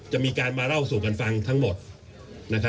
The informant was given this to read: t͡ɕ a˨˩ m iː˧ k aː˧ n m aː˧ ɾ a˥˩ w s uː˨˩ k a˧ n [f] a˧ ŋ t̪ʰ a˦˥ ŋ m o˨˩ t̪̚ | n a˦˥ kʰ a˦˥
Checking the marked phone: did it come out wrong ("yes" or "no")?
no